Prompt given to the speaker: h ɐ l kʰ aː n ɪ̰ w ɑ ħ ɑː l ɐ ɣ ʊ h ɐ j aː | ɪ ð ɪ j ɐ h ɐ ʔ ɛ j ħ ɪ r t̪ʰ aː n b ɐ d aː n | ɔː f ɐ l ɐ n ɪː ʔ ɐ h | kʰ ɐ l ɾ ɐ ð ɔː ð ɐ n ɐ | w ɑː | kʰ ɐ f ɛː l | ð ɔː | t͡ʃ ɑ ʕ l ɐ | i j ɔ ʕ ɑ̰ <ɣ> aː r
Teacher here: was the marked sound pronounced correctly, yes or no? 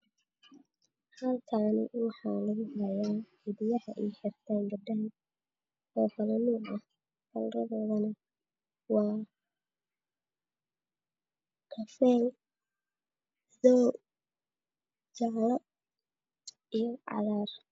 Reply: no